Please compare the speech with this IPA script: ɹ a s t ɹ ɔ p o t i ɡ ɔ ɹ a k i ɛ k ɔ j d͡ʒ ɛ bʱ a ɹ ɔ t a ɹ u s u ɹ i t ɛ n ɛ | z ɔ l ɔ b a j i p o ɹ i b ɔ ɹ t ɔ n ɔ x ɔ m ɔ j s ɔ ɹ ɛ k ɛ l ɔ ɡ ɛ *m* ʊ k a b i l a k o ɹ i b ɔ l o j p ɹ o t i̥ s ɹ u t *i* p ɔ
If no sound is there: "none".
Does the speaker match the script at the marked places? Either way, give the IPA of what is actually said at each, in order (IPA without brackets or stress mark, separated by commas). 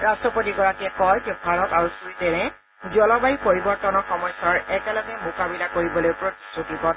m, i